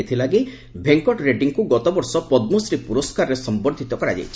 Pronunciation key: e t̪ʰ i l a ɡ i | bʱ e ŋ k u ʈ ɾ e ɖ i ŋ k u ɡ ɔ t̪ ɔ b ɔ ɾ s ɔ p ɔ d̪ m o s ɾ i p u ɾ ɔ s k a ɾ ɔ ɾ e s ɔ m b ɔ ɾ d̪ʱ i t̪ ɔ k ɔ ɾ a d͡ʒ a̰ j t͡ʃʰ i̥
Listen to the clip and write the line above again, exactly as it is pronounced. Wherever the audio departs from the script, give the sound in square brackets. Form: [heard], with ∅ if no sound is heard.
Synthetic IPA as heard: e t̪ʰ i l a ɡ i | bʱ e ŋ k [ɔ] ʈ ɾ e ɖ i ŋ k u ɡ ɔ t̪ ɔ b ɔ ɾ s ɔ p ɔ d̪ m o s ɾ i p u ɾ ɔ s k a ɾ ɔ ɾ e s ɔ m b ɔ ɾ d̪ʱ i t̪ ɔ k ɔ ɾ a d͡ʒ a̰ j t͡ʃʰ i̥